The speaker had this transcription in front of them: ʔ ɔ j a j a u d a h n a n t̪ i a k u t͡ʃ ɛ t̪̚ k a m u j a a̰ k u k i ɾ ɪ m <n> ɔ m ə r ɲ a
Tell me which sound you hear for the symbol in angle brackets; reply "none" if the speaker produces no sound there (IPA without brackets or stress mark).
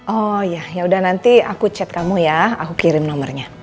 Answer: n